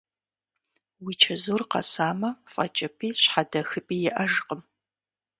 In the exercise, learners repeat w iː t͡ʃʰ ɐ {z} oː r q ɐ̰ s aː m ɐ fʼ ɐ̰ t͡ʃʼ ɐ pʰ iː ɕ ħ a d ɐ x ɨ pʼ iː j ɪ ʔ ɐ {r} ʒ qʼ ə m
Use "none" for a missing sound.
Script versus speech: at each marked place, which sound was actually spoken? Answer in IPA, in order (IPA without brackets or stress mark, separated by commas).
z, none